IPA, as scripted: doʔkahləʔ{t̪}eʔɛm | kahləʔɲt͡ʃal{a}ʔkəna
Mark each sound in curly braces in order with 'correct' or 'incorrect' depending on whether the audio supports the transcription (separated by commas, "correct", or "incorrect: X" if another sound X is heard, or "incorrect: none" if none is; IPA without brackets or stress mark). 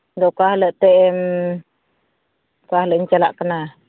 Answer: correct, correct